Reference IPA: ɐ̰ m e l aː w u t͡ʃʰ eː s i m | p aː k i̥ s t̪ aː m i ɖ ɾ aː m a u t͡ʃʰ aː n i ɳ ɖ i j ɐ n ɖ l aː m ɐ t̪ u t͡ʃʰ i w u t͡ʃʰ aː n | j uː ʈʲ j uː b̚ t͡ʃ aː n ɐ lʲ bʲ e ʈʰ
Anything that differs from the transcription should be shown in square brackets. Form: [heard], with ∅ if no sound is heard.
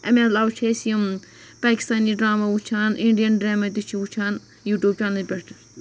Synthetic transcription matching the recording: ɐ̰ m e l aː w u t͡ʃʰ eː s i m | p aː k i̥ s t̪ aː [n] i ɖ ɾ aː m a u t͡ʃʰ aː n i ɳ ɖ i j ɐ n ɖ [ɾ] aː m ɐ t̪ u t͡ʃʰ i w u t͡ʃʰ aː n | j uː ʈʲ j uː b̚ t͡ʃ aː n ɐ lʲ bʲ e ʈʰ